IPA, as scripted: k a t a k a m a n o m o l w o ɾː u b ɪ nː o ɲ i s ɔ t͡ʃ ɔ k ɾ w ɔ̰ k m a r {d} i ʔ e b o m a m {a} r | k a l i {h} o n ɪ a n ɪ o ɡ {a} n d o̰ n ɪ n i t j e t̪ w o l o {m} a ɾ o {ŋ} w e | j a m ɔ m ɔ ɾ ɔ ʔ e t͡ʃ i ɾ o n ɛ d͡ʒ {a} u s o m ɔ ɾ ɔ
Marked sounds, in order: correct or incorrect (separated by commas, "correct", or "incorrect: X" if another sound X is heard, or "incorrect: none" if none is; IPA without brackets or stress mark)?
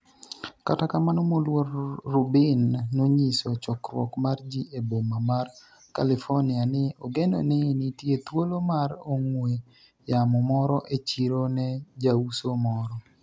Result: incorrect: d͡ʒ, correct, incorrect: f, incorrect: e, correct, correct, correct